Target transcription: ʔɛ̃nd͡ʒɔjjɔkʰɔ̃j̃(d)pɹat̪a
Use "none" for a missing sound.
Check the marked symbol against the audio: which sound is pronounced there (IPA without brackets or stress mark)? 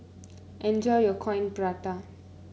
n